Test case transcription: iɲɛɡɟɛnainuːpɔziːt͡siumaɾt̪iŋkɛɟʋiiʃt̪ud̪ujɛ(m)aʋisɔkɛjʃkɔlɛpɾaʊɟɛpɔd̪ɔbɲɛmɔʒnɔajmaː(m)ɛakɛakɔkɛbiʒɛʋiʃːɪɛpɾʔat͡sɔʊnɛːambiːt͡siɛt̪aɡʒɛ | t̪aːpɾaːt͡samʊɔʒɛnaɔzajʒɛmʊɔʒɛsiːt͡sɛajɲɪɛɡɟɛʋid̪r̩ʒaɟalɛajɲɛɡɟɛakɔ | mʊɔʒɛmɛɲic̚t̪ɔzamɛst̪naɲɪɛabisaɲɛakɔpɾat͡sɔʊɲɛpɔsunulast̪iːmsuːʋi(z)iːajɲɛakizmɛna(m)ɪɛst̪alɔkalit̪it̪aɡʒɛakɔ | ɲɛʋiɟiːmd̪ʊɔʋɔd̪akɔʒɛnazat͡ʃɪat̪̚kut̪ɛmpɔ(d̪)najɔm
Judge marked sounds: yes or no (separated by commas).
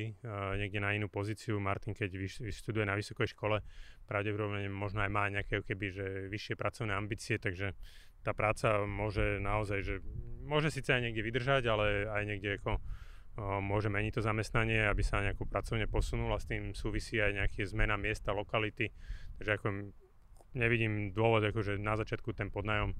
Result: no, no, no, yes, yes